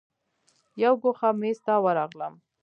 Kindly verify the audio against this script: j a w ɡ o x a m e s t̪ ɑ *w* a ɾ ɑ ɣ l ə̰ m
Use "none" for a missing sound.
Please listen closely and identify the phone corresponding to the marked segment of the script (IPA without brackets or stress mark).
w